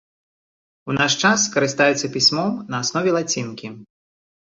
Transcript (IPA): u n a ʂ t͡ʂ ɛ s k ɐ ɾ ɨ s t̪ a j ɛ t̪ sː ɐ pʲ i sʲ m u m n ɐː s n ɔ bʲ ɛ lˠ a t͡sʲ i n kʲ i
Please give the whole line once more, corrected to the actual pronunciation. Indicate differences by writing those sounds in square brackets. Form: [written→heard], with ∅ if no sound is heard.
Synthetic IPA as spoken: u n a ʂ t͡ʂ [ɛ→a] s k ɐ ɾ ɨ s t̪ a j ɛ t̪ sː ɐ pʲ i sʲ m [u→ɔ] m n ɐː s n ɔ [bʲ→vʲ] ɛ lˠ a t͡sʲ i n kʲ i